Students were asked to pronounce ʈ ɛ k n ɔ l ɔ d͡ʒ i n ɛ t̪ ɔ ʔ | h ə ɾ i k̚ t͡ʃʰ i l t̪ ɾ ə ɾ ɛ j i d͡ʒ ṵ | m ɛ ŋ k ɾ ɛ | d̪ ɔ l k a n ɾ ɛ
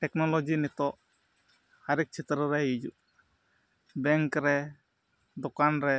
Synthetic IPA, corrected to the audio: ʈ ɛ k n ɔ l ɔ d͡ʒ i n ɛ t̪ ɔ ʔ | h a ɾ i k̚ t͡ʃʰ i t̪ ɾ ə ɾ ɛ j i d͡ʒ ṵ | b ɛ ŋ k ɾ ɛ | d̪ ɔ k a n ɾ ɛ